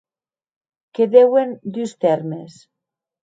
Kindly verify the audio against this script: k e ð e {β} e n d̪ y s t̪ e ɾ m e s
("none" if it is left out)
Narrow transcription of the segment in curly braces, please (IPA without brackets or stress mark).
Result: w